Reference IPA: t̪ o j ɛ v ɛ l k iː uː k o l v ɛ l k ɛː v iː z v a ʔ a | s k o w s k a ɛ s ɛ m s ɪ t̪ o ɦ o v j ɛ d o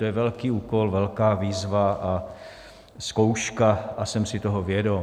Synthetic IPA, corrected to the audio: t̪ o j ɛ v ɛ l k iː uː k o l v ɛ l k aː v iː z v a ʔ a | s k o w ʃ k a a s ɛ m s ɪ t̪ o ɦ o v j ɛ d o